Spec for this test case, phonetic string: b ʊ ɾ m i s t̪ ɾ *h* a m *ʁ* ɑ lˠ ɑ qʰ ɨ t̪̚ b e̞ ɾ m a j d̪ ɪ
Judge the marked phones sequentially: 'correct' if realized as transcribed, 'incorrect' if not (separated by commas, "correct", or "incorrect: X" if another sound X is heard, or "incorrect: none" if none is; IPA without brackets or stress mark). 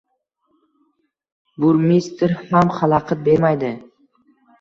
correct, incorrect: χ